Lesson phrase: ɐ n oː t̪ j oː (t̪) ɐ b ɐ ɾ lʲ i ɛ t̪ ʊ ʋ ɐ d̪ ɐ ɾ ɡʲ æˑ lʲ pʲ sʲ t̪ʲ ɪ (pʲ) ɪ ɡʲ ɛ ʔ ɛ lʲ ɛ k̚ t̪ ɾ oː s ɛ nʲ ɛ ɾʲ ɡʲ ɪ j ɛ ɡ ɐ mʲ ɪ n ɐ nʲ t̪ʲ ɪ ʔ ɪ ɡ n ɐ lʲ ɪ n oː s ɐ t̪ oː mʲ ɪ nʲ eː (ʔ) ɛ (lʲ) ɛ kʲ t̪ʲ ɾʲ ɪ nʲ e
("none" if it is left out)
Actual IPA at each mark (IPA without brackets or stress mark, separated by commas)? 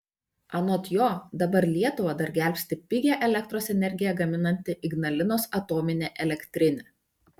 d̪, pʲ, ʔ, lʲ